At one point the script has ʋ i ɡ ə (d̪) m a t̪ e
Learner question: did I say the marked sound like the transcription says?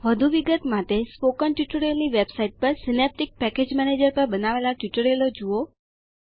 no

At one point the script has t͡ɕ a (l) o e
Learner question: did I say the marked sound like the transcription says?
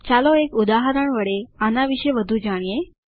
yes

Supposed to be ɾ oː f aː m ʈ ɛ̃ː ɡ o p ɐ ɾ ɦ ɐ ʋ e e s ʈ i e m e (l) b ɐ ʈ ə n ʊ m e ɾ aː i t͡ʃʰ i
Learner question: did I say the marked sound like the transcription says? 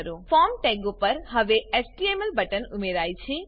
yes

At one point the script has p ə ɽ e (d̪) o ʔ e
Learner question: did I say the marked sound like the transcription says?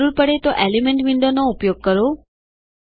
no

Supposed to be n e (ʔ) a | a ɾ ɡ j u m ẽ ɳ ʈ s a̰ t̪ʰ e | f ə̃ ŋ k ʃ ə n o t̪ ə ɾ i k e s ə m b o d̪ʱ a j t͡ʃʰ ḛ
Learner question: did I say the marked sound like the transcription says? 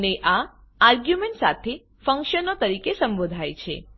yes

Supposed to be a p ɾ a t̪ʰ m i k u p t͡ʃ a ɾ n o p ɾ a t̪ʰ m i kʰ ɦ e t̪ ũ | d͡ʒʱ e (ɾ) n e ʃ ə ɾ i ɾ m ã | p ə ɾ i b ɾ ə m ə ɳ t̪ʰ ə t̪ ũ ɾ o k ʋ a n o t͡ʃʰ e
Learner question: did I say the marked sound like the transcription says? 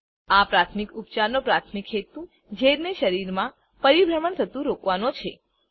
yes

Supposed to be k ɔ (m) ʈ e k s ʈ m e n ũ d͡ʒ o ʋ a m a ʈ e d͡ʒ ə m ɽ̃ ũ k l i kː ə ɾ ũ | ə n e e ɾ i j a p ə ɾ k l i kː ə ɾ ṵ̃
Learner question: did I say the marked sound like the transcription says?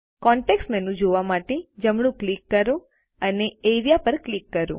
no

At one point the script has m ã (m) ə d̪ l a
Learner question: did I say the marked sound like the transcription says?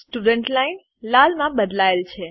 no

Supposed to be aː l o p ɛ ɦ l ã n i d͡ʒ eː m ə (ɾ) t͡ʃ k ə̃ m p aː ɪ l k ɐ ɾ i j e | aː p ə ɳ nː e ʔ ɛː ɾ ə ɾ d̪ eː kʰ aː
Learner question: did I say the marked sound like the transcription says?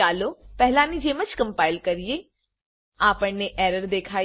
no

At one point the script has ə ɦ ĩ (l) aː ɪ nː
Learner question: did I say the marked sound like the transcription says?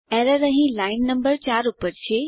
yes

